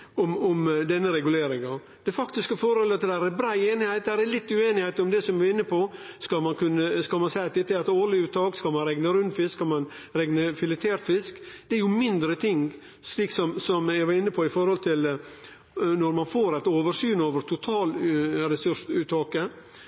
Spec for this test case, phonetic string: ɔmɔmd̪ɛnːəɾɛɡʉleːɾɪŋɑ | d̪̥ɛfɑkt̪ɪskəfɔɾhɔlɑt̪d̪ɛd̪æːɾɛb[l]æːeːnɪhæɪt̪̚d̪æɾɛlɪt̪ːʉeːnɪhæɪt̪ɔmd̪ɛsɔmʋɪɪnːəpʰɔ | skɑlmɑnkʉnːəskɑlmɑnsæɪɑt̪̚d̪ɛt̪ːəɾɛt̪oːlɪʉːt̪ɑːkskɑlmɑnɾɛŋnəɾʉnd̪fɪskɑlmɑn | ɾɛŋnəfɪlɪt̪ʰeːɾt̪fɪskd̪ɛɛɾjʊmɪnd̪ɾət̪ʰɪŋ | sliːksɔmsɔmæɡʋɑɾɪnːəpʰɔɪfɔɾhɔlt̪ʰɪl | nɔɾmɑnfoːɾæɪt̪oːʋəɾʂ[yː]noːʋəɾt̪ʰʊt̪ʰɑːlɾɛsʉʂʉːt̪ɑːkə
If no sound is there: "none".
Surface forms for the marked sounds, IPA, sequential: ɾ, yː

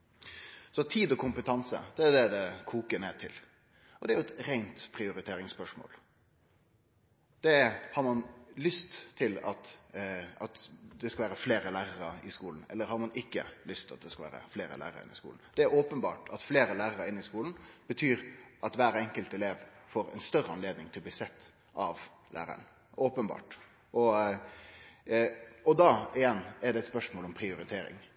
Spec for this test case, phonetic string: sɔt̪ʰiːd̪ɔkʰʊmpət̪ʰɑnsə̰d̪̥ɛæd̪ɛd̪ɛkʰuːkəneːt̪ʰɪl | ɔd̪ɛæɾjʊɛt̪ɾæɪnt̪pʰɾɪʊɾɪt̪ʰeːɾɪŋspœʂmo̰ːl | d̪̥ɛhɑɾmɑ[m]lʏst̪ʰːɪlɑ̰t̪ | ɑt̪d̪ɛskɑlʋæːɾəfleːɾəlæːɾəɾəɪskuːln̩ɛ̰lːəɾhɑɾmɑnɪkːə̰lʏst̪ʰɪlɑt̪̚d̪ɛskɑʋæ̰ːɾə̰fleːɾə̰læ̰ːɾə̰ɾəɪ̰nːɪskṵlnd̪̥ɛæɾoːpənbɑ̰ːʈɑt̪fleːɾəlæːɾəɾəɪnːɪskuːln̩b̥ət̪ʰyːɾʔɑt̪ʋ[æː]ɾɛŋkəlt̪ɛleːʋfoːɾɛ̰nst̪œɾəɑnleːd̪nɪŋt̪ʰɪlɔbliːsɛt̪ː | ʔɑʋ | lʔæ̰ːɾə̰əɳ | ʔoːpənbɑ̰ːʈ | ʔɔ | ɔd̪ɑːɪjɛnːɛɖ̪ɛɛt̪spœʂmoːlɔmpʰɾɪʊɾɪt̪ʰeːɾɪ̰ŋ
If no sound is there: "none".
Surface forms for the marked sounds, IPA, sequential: n, æː

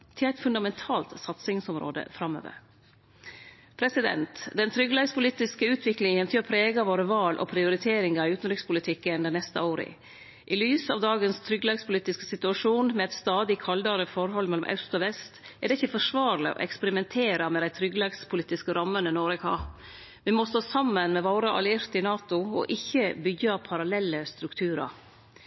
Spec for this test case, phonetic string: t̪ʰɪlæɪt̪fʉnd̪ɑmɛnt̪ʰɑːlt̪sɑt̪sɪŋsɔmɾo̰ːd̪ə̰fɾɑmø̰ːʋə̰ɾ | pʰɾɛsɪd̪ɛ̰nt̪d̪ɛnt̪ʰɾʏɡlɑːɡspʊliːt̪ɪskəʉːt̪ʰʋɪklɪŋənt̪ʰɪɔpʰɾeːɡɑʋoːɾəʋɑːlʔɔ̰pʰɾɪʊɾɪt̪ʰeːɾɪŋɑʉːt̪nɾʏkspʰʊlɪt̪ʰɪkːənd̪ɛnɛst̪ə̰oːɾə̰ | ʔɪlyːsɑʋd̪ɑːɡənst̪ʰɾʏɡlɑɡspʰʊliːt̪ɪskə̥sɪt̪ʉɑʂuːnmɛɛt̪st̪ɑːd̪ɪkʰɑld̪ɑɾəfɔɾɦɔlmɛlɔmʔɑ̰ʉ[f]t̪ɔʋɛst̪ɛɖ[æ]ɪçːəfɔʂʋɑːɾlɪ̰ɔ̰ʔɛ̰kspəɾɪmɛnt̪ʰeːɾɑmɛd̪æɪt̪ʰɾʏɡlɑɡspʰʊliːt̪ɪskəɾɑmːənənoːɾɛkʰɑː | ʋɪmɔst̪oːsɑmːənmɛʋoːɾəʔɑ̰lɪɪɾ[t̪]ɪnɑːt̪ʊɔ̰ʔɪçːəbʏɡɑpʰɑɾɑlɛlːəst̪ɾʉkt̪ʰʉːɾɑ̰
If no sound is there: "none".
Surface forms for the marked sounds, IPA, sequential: s, ɛ, t̪

